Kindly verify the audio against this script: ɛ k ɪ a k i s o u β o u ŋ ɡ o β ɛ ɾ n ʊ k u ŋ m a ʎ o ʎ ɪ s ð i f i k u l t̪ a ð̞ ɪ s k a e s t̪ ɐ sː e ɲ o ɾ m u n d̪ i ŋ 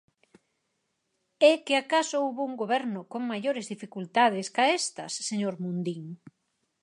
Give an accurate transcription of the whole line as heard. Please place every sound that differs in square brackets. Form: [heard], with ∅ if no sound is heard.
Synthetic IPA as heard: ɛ k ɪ a k [a] s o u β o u ŋ ɡ o β ɛ ɾ n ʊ k [o] ŋ m a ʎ o [ɾ] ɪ [z] ð i f i k u l t̪ a ð̞ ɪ s k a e s t̪ ɐ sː e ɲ o ɾ m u n d̪ i ŋ